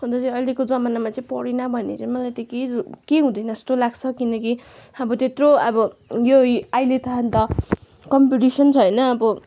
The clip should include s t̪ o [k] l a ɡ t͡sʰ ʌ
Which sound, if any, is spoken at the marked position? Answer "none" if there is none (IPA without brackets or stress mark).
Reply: none